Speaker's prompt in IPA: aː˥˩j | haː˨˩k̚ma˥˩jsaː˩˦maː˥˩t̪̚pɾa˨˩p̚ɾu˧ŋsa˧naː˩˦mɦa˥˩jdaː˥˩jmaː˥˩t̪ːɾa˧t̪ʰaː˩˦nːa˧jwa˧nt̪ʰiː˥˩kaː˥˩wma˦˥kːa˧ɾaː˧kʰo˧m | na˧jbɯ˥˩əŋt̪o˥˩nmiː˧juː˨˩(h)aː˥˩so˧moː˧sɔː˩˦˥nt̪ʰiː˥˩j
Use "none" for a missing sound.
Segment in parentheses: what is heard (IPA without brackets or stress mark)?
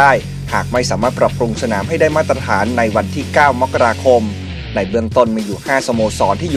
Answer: h